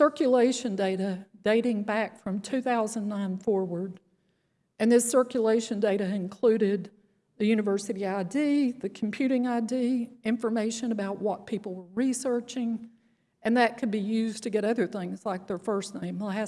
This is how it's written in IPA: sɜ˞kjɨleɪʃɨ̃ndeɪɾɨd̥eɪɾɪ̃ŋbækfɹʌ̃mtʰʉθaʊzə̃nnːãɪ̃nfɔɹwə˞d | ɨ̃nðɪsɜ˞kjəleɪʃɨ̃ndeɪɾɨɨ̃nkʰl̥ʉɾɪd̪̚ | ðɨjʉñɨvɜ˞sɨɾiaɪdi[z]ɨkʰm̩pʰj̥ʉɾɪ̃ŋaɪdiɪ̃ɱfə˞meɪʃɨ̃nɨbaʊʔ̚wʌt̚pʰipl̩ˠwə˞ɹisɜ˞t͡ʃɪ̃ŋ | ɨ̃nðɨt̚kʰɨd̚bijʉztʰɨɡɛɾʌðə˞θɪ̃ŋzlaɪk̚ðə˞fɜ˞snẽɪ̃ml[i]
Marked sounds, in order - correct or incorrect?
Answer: incorrect: ð, incorrect: æ

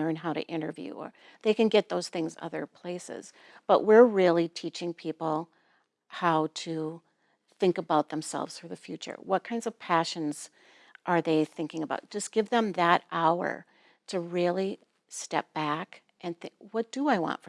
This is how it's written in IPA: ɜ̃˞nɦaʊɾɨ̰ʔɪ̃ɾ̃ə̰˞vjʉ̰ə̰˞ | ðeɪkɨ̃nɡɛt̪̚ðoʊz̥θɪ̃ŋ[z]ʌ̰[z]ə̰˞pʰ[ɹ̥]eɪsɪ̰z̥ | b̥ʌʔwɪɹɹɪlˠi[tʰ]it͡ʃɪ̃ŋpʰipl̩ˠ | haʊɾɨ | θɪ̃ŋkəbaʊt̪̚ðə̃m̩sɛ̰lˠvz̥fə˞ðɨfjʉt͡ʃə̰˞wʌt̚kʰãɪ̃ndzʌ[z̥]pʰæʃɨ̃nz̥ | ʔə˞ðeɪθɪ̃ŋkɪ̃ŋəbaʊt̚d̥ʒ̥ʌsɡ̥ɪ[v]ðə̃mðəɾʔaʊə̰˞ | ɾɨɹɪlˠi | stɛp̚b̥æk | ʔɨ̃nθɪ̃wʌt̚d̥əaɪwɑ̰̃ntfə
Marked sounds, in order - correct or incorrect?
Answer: correct, incorrect: ð, incorrect: l̥, correct, incorrect: v̥, correct

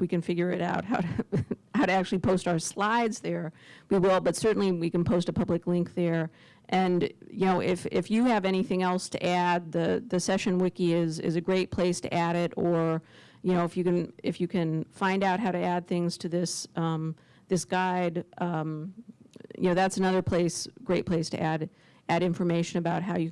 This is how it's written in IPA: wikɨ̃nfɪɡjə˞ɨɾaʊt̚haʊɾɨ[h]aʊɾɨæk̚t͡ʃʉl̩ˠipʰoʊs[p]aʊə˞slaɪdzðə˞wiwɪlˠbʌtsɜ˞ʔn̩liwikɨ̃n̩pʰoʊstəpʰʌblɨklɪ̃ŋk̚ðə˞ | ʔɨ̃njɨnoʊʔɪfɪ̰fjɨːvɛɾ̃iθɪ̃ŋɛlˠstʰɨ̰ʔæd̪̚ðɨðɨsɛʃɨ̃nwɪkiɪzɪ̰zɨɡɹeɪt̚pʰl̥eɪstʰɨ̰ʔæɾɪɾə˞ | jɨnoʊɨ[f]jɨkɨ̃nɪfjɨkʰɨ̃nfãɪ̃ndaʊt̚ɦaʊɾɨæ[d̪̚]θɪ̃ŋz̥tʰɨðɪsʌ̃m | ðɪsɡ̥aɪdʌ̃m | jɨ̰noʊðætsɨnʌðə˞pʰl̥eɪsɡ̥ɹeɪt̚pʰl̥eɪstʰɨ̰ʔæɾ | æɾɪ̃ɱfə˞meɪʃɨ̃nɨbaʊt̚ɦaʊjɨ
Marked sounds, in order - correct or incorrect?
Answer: correct, incorrect: t, correct, correct

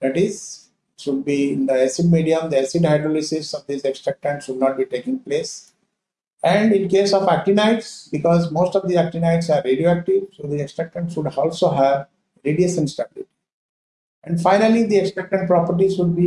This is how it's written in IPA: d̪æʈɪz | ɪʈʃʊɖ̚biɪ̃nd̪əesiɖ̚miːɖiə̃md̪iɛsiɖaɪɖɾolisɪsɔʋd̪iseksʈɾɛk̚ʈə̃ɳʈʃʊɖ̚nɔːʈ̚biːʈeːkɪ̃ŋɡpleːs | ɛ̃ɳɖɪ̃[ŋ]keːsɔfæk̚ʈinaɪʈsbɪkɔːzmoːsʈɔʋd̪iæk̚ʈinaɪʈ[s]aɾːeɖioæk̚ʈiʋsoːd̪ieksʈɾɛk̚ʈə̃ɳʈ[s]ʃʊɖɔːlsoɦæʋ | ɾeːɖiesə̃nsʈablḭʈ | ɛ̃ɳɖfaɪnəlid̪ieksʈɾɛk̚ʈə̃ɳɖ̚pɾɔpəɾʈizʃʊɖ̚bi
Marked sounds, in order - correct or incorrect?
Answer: incorrect: n, correct, correct

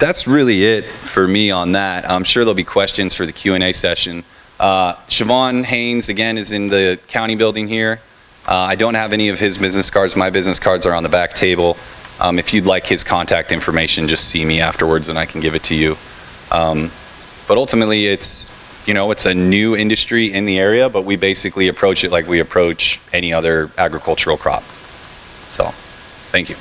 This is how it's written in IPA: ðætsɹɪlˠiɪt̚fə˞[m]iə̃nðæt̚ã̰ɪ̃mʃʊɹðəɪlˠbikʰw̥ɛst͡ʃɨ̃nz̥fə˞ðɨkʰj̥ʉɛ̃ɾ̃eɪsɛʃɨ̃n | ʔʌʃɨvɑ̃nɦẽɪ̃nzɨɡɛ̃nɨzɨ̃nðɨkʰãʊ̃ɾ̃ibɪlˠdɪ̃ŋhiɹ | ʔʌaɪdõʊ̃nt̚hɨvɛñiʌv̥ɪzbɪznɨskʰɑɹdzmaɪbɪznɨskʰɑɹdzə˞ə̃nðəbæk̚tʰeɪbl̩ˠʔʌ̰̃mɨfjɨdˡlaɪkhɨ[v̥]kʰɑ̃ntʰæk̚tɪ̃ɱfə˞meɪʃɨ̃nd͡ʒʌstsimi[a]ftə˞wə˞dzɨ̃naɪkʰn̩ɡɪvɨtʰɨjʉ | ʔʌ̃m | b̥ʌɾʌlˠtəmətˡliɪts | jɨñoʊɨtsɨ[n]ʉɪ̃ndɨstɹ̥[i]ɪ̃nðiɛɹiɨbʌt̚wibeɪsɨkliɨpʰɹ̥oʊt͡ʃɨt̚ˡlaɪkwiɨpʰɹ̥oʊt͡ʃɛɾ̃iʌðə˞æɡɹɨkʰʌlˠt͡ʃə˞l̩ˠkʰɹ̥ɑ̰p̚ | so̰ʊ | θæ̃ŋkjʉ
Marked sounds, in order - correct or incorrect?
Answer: correct, incorrect: z̥, incorrect: æ, correct, correct

